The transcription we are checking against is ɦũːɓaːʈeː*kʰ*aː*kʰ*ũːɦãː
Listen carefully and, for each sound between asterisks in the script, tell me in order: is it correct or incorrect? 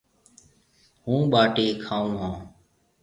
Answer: correct, incorrect

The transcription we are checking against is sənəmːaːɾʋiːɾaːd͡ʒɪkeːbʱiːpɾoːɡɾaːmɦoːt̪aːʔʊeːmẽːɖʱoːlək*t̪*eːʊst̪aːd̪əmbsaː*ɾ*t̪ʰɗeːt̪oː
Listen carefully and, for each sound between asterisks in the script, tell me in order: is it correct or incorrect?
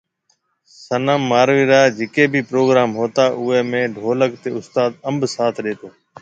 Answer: correct, incorrect

